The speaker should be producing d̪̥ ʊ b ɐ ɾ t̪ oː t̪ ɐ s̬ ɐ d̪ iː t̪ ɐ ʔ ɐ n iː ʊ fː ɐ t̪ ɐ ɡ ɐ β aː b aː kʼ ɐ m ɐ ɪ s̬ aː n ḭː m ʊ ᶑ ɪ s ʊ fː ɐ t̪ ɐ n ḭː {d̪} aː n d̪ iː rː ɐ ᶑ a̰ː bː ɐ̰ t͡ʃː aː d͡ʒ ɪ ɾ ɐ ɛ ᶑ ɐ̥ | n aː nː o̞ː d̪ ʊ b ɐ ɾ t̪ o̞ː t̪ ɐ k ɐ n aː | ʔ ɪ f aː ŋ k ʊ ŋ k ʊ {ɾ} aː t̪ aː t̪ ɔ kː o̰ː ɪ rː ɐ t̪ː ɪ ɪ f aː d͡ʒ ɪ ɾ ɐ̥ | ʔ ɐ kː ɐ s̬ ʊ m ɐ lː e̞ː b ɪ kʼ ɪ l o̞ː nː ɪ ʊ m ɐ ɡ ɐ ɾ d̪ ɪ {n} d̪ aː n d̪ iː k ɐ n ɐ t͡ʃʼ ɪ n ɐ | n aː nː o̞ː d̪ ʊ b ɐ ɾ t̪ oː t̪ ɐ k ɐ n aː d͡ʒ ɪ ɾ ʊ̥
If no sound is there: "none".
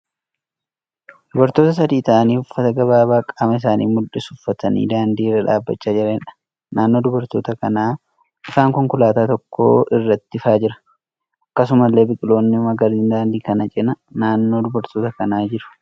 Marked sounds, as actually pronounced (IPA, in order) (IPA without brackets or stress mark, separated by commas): d̪, l, n